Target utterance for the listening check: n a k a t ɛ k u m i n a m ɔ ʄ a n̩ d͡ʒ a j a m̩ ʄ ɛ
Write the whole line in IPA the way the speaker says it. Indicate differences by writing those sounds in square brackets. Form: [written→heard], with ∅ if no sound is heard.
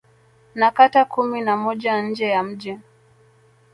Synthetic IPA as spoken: n a k a t [ɛ→a] k u m i n a m ɔ ʄ a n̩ d͡ʒ [a→ɛ] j a m̩ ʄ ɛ